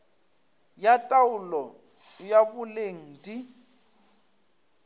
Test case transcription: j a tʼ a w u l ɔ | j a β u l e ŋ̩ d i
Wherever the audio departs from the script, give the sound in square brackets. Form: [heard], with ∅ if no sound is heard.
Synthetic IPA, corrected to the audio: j a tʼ a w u l ɔ | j a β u l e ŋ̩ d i